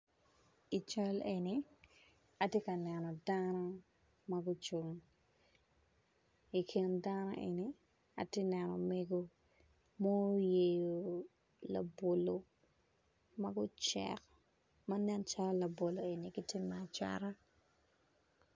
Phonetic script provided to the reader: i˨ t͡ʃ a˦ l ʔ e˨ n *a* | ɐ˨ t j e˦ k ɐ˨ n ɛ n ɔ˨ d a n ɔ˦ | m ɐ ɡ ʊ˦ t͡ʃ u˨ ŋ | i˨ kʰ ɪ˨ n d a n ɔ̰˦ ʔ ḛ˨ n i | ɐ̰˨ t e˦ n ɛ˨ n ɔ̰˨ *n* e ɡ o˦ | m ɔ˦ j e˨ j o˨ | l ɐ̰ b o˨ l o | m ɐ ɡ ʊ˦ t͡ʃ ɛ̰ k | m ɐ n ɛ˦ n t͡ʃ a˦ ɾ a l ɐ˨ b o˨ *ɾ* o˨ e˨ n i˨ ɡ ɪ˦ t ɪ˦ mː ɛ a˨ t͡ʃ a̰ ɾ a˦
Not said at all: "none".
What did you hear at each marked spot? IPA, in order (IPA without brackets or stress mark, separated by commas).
i, m, l